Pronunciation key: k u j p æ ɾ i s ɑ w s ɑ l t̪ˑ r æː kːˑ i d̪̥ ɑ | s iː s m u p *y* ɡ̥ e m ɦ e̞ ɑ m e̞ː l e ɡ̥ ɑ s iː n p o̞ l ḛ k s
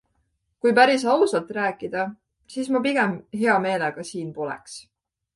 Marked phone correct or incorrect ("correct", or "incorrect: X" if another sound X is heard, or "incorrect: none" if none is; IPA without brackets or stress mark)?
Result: incorrect: i